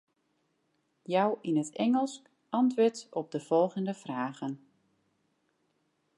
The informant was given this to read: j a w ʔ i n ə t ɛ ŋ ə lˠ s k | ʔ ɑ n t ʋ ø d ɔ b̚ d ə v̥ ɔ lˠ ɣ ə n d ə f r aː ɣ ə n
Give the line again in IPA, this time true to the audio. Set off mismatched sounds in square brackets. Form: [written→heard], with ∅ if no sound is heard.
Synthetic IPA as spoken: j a w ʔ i n ə t ɛ ŋ ə lˠ s k | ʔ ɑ n t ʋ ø [d→t] ɔ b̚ d ə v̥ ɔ lˠ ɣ ə n d ə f r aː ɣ ə n